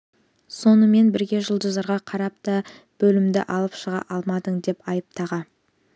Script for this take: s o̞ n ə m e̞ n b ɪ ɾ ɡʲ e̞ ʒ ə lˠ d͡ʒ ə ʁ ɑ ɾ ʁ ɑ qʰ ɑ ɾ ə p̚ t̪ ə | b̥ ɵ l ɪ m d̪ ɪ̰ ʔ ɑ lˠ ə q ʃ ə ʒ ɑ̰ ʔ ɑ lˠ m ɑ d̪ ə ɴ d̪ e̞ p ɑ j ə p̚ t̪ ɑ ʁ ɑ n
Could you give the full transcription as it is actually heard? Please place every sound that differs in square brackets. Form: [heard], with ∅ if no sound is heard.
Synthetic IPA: s o̞ n ə m e̞ n b ɪ ɾ ɡʲ e̞ ʒ ə lˠ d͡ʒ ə [z] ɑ ɾ ʁ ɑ qʰ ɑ ɾ [ɑ] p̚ t̪ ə | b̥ ɵ l ɪ m d̪ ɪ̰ ʔ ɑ lˠ ə [p] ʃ ə [ʁ] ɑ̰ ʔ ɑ lˠ m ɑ d̪ ə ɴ d̪ e̞ p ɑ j ə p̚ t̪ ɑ ʁ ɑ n